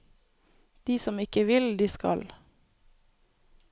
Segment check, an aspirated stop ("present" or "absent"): absent